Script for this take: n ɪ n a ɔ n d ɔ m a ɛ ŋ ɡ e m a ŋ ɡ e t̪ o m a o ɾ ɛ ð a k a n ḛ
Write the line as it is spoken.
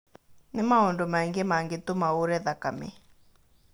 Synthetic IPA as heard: n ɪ m a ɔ n d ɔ m a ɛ ŋ ɡ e m a ŋ ɡ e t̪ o m a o ɾ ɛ ð a k a m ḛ